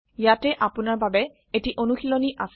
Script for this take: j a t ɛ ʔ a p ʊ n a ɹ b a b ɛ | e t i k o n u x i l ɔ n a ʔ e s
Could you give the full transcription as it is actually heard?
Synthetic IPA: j a t ɛ ʔ a p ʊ n a ɹ b a b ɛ | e t i ʔ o n u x i l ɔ n i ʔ a s